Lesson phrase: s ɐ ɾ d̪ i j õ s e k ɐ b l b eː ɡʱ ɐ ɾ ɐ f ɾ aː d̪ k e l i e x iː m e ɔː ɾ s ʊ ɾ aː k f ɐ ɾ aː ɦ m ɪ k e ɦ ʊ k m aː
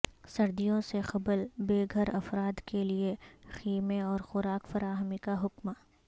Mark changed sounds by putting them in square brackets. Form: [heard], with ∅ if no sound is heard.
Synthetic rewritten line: s ɐ ɾ d̪ i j õ s e [x] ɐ b l b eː ɡʱ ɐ ɾ ɐ f ɾ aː d̪ k e l i e x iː m e ɔː ɾ [x] ʊ ɾ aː k f ɐ ɾ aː ɦ m [i] k [a] ɦ ʊ k m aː